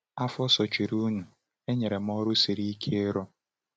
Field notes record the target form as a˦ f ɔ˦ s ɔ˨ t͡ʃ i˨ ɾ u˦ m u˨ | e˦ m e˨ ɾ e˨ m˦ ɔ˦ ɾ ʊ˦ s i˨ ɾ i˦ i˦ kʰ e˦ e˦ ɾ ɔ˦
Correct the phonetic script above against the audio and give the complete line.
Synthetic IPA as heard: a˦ f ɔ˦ s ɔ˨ t͡ʃ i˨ ɾ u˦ n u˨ | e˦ ɲ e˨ ɾ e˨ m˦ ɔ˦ ɾ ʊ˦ s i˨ ɾ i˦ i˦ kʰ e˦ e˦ ɾ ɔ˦